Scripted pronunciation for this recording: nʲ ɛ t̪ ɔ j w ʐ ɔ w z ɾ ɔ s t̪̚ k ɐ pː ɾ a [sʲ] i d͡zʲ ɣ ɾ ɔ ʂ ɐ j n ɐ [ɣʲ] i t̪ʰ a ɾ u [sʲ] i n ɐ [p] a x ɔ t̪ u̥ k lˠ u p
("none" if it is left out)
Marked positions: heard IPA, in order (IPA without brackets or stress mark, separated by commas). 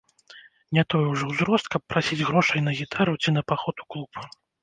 sʲ, ɣʲ, t͡sʲ, p